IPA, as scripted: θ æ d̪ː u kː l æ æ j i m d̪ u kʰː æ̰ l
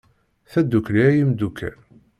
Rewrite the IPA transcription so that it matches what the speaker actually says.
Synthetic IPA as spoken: θ æ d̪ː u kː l i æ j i m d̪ u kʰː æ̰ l

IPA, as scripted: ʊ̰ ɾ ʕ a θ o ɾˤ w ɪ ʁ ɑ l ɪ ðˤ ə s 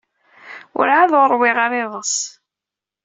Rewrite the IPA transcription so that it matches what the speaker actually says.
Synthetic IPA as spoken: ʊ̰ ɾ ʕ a ð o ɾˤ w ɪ ʁ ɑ ɾ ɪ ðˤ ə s

